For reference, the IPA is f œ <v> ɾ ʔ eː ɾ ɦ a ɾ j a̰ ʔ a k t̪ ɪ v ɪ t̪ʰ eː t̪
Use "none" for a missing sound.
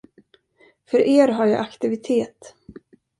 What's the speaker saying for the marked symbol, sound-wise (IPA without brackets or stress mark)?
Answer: none